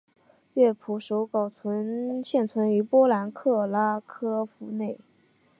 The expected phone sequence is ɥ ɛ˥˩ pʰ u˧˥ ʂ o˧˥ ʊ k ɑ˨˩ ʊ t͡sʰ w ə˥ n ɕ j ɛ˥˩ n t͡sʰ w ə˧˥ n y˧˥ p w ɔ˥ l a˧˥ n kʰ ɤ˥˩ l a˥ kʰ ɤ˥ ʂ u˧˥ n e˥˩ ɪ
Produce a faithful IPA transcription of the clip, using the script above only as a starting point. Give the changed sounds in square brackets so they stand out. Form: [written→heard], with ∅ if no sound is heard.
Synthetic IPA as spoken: ɥ ɛ˥˩ pʰ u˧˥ ʂ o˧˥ ʊ k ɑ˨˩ ʊ t͡sʰ w [ə˥→ə˧˥] n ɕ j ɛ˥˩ n t͡sʰ w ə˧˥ n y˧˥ p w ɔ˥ l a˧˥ n kʰ ɤ˥˩ l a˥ kʰ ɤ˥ [ʂ→f] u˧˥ n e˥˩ ɪ